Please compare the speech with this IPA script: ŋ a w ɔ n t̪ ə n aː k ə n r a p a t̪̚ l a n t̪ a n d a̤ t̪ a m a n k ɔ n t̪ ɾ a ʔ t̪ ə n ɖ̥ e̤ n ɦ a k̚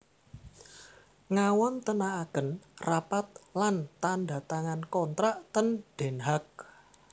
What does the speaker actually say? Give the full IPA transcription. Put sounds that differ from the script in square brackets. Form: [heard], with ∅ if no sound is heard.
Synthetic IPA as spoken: ŋ a w ɔ n t̪ ə n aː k ə n r a p a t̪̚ l a n t̪ a n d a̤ t̪ a [ŋ] a n k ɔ n t̪ ɾ a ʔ t̪ ə n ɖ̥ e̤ n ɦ a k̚